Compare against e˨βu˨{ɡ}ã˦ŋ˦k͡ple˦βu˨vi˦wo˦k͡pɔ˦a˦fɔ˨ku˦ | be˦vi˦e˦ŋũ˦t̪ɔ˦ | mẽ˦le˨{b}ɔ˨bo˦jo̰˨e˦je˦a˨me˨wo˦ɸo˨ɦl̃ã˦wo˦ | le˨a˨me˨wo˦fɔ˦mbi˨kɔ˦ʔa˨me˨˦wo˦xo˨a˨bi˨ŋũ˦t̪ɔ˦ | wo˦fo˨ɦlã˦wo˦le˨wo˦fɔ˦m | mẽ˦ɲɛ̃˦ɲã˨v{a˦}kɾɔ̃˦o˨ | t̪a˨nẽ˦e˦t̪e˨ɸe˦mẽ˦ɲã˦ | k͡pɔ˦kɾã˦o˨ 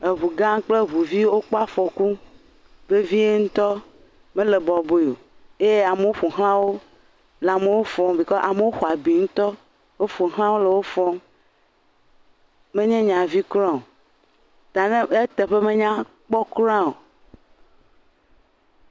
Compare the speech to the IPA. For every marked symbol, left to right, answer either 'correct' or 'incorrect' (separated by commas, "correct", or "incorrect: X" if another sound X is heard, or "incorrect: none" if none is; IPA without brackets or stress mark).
correct, correct, incorrect: i˦